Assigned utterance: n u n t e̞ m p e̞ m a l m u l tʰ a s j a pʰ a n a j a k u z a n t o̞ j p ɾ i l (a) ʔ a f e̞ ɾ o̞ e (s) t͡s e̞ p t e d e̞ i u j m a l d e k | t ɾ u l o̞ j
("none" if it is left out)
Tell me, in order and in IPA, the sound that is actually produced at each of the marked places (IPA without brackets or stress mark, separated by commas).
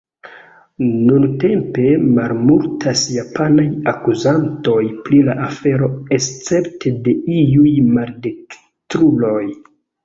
a, s